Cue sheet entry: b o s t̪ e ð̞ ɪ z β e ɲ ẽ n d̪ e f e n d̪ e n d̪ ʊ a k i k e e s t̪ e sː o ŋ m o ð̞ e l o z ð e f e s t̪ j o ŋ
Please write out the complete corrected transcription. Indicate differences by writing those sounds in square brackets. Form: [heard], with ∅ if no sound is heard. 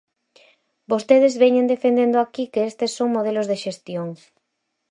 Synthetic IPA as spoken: b o s t̪ e ð̞ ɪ z β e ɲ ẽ n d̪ e f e n d̪ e n d̪ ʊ a k i k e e s t̪ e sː o ŋ m o ð̞ e l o z ð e [ʃ] e s t̪ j o ŋ